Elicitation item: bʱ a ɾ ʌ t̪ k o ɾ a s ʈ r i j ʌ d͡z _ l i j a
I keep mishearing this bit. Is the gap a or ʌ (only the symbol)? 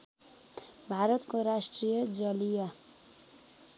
ʌ